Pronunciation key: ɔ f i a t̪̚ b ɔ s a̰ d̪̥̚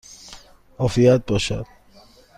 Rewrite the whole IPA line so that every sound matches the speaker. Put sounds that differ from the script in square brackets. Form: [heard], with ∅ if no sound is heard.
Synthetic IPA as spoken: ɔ f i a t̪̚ b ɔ [ʃ] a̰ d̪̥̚